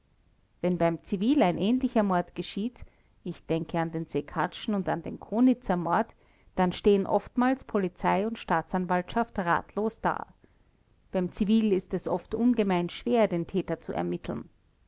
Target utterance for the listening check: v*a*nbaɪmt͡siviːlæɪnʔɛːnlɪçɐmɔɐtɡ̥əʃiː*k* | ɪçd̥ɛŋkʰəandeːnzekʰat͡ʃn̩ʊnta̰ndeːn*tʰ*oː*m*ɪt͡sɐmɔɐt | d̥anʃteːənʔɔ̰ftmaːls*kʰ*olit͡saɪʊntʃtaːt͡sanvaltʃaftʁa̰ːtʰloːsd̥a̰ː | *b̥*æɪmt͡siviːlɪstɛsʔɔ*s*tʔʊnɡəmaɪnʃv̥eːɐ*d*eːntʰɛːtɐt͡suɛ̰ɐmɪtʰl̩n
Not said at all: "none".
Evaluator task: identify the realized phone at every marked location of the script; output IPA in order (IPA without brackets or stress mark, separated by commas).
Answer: ɛ, t, kʰ, n, pʰ, b̥, f, d